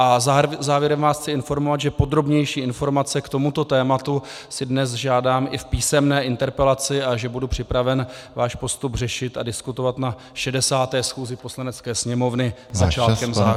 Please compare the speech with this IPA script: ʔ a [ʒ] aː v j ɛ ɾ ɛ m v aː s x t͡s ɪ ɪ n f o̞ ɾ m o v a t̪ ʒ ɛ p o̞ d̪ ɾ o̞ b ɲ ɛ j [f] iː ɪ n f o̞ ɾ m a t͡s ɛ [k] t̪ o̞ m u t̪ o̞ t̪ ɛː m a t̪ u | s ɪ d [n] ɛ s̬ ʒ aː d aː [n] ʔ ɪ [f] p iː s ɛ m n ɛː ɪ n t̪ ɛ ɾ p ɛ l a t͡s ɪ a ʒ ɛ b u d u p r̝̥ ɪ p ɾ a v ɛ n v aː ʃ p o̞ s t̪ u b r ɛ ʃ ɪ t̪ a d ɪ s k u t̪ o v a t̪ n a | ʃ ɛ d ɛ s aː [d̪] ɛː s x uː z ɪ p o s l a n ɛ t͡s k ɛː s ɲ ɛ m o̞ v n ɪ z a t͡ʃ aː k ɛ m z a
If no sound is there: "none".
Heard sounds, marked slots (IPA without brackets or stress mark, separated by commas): z, ʃ, k, n, m, f, t̪